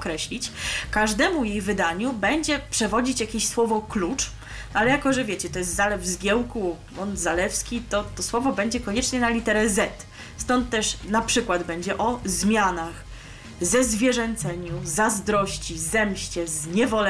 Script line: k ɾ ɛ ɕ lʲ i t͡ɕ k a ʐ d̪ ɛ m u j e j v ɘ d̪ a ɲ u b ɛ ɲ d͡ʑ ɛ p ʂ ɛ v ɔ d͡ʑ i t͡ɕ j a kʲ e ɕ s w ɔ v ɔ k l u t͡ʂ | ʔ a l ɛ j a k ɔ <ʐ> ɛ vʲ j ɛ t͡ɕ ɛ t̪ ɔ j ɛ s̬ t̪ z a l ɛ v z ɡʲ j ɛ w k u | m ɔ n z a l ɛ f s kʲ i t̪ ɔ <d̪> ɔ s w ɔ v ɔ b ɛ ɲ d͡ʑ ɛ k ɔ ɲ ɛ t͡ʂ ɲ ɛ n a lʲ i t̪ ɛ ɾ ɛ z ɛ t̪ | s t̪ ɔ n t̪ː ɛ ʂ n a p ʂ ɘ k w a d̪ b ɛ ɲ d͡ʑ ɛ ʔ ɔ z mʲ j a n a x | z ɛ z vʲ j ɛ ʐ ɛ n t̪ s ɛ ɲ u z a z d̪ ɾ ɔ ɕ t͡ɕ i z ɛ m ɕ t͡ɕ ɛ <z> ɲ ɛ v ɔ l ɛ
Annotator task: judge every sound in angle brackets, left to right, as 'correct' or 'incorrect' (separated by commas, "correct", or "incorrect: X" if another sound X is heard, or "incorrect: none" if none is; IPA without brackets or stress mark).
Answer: correct, incorrect: t̪, correct